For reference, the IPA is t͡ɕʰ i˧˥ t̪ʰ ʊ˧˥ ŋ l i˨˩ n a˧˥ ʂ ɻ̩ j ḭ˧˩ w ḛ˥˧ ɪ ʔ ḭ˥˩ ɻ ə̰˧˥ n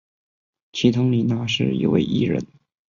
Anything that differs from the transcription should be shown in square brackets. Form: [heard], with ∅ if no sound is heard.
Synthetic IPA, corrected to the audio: t͡ɕʰ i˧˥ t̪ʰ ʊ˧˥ ŋ l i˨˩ n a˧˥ ʂ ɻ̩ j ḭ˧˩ w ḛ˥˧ ɪ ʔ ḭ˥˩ ɻ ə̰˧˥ n